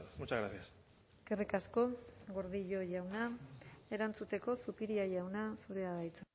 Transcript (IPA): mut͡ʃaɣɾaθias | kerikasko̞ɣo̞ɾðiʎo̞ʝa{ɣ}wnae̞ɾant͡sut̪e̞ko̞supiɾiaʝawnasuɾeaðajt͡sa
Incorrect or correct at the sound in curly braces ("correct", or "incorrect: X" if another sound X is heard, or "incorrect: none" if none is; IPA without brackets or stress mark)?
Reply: incorrect: none